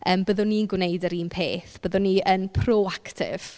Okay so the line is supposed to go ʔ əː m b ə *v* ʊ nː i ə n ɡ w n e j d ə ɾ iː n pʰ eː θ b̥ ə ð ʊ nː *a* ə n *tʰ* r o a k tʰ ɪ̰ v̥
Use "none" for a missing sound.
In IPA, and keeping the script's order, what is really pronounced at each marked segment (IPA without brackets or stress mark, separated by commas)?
ð, i, pʰ